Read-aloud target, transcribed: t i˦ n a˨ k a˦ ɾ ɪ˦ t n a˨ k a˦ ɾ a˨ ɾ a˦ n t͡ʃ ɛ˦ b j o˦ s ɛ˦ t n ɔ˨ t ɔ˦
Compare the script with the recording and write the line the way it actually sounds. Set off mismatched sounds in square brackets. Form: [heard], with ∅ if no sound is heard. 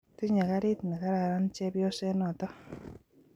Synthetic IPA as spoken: t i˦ [ɲ] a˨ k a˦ ɾ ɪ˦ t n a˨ k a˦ ɾ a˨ ɾ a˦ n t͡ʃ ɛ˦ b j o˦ s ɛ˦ [∅] n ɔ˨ t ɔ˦

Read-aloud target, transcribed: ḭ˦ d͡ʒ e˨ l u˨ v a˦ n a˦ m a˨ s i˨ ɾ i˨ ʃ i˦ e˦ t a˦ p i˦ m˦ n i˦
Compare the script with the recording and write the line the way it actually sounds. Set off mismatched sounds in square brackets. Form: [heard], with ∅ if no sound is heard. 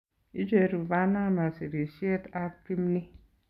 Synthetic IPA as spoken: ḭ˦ d͡ʒ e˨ [ɾ] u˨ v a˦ n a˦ m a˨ s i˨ ɾ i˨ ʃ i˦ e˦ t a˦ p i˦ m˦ n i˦

